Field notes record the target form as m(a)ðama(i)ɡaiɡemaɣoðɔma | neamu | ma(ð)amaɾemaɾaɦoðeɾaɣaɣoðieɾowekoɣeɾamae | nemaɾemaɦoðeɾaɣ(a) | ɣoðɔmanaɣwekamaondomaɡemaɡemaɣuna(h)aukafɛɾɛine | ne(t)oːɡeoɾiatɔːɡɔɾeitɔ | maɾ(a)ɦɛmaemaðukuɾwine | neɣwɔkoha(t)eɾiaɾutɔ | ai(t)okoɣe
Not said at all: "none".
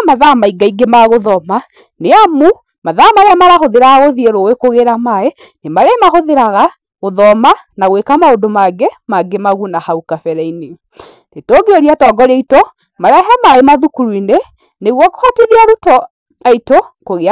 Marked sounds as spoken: a, i, ð, a, h, t, ɛ, t, t

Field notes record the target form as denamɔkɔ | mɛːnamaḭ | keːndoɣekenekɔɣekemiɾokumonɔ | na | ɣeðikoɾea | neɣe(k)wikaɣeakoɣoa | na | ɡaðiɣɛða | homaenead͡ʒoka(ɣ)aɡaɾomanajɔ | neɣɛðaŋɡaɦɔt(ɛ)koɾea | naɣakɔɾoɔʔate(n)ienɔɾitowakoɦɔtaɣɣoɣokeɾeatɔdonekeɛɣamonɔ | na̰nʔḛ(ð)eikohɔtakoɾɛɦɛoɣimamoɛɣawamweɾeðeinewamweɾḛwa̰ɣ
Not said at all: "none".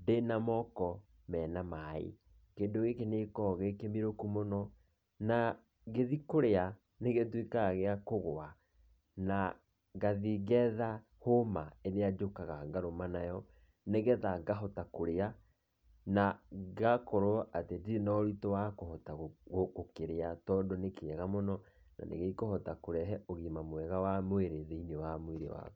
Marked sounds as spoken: t, ɣ, a, d, ɣ

